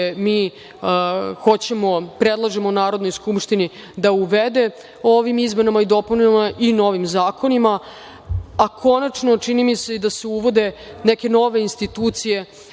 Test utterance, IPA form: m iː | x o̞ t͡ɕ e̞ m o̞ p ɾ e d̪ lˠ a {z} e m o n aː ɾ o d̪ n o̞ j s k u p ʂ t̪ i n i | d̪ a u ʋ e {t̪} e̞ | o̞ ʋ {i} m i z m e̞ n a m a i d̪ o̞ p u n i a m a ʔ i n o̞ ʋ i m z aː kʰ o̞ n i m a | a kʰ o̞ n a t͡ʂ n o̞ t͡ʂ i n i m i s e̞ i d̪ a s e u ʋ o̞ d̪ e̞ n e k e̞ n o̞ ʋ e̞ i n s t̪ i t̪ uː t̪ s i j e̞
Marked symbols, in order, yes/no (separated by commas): no, no, yes